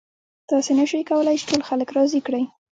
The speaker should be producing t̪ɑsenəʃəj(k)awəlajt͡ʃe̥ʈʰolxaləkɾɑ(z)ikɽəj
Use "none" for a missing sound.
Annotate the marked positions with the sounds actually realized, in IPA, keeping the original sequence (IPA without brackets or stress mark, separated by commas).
k, z